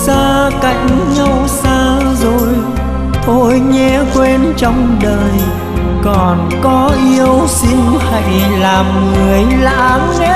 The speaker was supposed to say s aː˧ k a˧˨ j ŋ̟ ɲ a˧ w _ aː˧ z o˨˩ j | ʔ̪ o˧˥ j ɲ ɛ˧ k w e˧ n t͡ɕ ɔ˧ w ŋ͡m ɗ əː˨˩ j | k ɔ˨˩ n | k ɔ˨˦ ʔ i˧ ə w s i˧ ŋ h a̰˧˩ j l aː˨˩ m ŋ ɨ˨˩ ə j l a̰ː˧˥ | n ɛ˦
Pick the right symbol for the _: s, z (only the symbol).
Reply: s